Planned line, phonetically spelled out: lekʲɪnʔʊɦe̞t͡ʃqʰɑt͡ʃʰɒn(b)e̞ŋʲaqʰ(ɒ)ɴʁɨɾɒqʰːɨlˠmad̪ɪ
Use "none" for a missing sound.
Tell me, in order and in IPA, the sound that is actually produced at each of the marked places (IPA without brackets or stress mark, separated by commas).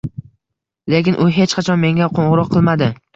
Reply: m, o